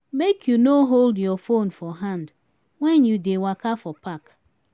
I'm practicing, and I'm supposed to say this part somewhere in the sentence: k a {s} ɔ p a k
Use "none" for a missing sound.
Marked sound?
f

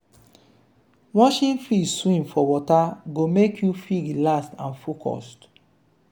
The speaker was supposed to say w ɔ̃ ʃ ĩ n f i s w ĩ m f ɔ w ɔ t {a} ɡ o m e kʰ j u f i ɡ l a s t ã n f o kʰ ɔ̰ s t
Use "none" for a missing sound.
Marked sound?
a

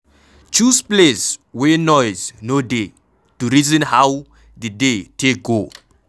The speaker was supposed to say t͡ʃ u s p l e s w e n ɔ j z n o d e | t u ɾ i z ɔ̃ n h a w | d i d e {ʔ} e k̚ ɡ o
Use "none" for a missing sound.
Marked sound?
t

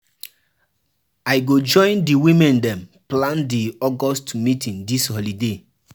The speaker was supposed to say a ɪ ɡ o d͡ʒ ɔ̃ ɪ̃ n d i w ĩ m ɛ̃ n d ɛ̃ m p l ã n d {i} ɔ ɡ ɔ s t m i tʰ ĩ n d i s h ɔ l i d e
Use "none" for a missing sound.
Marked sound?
i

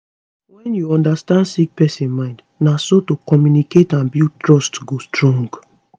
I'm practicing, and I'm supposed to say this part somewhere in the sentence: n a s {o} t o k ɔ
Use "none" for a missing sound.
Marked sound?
o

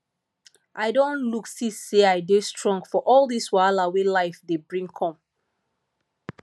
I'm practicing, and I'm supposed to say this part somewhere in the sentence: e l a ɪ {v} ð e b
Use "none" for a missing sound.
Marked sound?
f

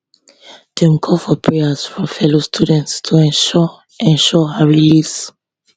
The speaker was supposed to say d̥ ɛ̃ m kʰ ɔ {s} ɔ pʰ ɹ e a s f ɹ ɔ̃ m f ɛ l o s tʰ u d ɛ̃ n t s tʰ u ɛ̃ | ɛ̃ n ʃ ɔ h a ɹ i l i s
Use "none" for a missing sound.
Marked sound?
f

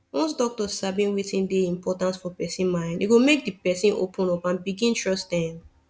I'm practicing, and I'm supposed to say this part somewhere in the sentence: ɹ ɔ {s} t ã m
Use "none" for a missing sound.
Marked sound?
s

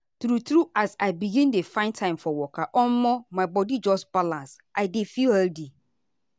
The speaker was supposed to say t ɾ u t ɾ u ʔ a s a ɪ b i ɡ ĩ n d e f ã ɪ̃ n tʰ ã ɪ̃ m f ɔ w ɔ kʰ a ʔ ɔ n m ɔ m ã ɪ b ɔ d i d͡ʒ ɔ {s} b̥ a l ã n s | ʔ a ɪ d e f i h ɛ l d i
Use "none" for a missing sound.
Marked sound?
s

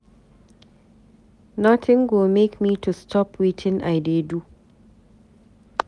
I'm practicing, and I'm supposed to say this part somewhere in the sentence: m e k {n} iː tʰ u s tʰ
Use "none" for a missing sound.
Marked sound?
m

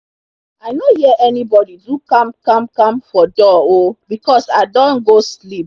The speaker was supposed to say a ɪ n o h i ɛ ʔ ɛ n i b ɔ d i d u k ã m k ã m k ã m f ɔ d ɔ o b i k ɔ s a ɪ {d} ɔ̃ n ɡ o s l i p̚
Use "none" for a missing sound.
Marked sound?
d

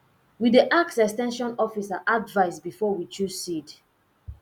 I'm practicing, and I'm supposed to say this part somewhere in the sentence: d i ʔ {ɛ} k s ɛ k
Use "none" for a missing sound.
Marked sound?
a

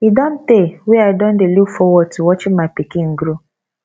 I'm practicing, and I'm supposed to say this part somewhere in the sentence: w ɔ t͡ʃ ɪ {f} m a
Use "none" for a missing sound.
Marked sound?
none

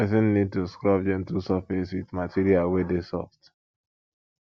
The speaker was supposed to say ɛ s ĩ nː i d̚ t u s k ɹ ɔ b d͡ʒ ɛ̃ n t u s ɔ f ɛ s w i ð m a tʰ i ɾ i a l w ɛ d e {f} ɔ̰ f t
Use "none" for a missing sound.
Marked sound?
s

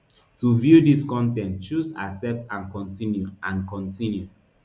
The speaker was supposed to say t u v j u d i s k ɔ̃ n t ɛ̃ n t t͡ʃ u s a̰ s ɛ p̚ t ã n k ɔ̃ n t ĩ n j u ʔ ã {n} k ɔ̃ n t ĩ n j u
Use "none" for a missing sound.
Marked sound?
n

